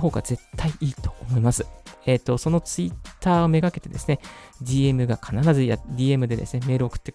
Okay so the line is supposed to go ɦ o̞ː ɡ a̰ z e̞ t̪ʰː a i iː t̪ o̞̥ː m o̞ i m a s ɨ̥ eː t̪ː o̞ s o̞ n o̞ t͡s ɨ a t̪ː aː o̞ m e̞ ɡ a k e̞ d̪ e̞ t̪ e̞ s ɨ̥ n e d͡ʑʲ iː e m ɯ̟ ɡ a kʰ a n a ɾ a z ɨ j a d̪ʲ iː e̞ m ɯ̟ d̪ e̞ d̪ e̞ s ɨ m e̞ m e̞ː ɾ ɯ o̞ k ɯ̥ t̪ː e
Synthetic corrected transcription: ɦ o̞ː ɡ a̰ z e̞ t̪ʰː a i iː t̪ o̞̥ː m o̞ i m a s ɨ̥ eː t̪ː o̞ s o̞ n o̞ t͡s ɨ i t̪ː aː o̞ m e̞ ɡ a k e̞ t̪ e̞ d̪ e̞ s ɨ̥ n e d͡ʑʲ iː e m ɯ̟ ɡ a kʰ a n a ɾ a z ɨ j a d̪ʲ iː e̞ m ɯ̟ d̪ e̞ d̪ e̞ s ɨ n e̞ m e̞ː ɾ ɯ o̞ k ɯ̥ t̪ː e